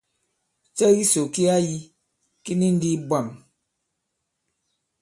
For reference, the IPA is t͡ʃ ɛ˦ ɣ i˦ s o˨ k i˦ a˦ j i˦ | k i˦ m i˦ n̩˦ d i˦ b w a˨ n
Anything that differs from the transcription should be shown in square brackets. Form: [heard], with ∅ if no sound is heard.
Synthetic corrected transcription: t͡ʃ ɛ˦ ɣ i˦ s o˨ k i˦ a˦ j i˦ | k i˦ [n] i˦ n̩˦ d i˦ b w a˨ [m]